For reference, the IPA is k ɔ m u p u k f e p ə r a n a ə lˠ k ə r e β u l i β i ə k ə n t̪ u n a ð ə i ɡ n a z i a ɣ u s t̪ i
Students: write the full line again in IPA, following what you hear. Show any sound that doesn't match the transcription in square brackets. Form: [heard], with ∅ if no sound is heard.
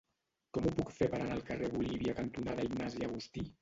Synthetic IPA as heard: k ɔ m u p u k f e p ə [ɾ] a n a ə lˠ k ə r e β u l i β i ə k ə n t̪ u n a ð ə i ɡ n a z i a ɣ u s t̪ i